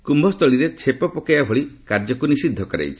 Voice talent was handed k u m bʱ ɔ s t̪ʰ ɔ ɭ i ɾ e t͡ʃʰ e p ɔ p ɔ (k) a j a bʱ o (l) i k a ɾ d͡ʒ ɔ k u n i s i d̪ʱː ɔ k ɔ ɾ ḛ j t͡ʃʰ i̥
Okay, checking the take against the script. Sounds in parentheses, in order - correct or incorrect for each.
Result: correct, incorrect: ɭ

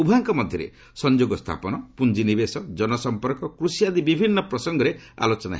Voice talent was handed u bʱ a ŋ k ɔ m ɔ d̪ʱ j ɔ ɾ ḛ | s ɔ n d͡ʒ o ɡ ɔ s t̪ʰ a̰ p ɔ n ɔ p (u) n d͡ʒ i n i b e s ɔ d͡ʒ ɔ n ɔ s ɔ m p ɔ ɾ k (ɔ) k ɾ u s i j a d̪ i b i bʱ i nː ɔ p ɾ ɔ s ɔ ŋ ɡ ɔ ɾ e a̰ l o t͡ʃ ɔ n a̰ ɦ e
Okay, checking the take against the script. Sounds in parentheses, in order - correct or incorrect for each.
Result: correct, correct

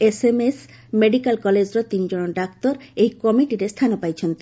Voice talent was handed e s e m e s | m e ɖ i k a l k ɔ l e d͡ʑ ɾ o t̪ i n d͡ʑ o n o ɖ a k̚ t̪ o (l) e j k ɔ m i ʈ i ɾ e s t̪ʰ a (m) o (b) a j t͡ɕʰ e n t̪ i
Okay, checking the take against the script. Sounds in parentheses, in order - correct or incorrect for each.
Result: incorrect: ɾ, incorrect: n, incorrect: p

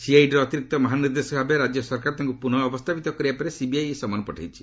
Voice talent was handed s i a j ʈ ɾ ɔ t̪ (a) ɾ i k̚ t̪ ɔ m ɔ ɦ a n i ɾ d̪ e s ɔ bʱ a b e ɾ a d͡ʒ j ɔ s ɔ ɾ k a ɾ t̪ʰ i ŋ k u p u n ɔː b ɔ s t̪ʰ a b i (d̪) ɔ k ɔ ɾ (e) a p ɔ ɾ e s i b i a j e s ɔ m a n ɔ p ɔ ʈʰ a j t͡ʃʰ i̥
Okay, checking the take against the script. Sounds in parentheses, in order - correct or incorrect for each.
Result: incorrect: i, incorrect: t̪, incorrect: i

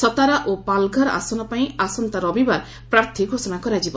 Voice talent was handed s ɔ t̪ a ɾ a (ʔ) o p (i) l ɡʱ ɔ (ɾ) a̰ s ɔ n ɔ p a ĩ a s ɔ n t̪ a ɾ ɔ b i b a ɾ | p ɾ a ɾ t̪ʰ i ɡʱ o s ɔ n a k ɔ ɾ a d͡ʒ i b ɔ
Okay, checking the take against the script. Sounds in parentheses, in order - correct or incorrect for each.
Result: correct, incorrect: a, correct

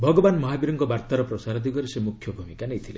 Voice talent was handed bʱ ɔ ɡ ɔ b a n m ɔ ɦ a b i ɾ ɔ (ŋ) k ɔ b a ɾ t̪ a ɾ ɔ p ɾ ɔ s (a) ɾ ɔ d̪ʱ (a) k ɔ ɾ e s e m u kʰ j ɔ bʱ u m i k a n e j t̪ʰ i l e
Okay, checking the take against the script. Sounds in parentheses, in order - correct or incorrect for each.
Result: correct, correct, incorrect: i

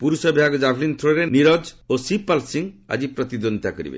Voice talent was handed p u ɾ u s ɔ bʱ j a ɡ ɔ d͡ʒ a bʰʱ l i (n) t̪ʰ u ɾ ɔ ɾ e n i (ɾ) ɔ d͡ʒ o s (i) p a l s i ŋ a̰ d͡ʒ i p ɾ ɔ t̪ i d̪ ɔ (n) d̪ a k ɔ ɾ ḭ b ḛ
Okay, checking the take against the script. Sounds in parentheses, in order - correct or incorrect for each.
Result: correct, correct, correct, correct

